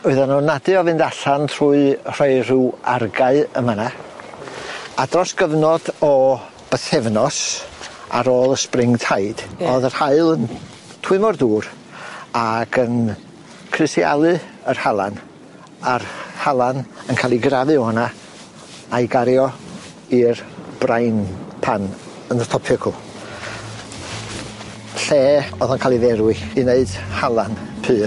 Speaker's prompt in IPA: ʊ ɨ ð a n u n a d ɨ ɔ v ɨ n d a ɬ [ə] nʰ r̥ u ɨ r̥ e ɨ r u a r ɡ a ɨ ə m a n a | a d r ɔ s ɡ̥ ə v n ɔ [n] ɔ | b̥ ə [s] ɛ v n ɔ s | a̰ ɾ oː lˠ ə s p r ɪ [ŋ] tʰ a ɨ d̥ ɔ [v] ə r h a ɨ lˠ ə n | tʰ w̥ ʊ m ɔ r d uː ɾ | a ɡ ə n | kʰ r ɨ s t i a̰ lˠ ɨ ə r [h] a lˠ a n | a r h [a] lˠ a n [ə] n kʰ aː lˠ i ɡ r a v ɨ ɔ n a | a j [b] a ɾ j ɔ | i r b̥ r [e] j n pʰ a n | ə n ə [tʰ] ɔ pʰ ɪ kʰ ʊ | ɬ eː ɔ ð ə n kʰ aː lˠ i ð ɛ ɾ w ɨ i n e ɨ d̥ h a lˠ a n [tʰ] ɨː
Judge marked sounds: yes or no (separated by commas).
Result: no, no, no, yes, no, yes, yes, yes, no, no, yes, no